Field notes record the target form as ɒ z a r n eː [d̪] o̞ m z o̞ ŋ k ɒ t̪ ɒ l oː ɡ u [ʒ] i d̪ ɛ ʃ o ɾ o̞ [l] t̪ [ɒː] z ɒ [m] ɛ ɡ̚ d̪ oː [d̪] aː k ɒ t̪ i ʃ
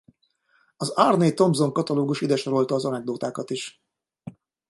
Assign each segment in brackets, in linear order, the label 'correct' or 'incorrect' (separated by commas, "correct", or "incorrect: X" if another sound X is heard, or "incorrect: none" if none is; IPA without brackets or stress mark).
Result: incorrect: t̪, incorrect: ʃ, correct, correct, incorrect: n, incorrect: t̪